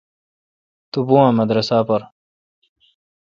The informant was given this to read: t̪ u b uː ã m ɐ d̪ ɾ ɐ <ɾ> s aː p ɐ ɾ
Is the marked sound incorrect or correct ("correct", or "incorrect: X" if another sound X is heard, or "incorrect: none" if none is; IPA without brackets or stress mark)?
incorrect: none